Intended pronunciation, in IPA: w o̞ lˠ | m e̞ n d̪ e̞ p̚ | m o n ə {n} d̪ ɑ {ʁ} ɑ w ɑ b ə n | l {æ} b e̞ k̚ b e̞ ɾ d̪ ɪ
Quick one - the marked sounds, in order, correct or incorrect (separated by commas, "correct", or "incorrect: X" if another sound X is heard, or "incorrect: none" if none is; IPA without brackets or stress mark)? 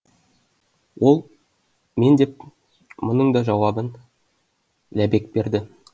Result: incorrect: ɴ, incorrect: ʒ, correct